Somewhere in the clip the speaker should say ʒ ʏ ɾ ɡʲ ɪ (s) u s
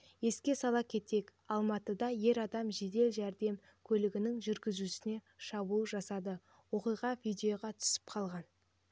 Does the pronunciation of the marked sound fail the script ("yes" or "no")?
yes